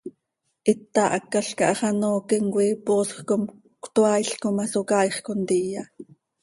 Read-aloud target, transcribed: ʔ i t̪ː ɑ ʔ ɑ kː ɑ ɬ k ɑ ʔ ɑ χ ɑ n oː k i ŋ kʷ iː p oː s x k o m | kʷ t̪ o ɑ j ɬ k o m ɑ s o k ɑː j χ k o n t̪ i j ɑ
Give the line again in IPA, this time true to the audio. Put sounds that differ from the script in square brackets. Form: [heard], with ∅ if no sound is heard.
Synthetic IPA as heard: ʔ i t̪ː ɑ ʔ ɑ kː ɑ ɬ k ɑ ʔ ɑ χ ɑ n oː k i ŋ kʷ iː p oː s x k o m | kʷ t̪ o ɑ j ɬ k o m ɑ s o k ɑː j χ k o n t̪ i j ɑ